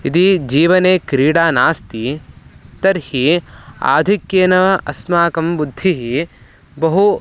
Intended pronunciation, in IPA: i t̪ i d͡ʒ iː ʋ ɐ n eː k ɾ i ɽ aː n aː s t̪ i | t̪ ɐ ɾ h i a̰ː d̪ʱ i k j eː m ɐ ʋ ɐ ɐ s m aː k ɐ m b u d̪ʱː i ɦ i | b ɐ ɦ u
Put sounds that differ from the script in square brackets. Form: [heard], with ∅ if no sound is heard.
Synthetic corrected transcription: i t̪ i d͡ʒ iː ʋ ɐ n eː k ɾ [iː] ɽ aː n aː s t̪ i | t̪ ɐ ɾ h i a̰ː d̪ʱ i k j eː [n] ɐ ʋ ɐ ɐ s m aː k ɐ m b u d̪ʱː i ɦ i | b ɐ ɦ u